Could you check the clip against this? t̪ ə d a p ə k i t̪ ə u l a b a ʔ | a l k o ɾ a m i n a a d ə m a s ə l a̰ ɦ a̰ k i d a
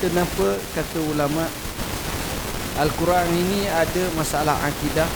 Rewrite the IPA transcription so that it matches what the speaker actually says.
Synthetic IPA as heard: t̪ ə n a p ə k a t̪ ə u l a m a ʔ | a l k u ɾ a ŋ i n i a d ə m a s a l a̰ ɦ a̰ k i d a